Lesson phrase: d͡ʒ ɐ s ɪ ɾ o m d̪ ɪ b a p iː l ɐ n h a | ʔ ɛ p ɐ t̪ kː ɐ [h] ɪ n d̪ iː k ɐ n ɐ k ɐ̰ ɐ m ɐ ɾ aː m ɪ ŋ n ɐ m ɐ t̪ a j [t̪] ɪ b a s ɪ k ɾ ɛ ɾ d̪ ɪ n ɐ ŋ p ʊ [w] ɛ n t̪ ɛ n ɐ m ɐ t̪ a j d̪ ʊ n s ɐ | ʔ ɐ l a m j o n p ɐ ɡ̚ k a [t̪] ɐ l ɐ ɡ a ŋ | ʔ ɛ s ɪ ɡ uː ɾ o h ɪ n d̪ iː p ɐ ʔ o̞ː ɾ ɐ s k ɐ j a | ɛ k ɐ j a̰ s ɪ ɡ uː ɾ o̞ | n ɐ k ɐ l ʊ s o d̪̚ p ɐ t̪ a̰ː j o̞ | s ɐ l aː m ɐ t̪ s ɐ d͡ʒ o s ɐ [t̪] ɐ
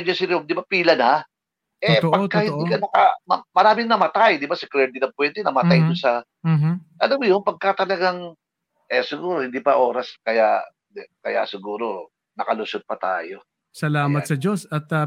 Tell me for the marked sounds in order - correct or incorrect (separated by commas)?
correct, incorrect, correct, correct, correct